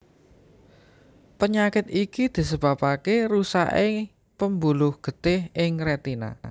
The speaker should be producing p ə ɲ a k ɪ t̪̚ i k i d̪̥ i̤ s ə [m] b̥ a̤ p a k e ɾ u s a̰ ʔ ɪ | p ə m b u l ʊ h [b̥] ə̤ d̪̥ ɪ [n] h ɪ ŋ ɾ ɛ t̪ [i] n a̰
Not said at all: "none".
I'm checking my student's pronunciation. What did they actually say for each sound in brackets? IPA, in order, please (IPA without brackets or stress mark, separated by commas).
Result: none, ɡ̥, none, i